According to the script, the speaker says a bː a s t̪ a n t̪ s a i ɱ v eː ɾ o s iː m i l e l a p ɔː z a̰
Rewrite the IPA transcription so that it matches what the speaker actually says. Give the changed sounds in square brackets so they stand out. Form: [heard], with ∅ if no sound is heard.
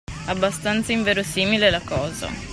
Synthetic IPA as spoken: a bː a s t̪ a n t̪ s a i ɱ v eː ɾ o s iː m i l e l a [k] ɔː z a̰